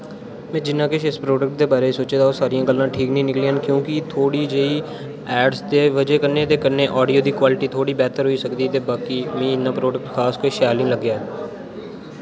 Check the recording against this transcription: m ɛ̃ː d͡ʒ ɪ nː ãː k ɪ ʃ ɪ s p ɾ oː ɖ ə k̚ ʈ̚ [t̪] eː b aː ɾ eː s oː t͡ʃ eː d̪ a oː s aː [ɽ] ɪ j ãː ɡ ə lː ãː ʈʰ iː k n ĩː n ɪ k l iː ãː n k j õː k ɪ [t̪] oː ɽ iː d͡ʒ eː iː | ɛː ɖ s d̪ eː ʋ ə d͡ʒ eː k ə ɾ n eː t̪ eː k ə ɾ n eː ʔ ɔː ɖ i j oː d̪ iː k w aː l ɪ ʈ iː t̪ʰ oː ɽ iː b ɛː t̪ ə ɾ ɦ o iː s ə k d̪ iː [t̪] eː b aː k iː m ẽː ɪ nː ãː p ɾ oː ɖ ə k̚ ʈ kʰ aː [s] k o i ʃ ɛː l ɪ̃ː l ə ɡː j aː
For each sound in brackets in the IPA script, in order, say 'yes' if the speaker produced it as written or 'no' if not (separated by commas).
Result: no, no, no, yes, yes